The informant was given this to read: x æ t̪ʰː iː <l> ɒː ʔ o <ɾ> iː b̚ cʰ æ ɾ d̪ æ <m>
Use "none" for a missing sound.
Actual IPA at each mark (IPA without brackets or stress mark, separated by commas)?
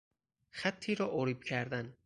ɾ, ɾ, n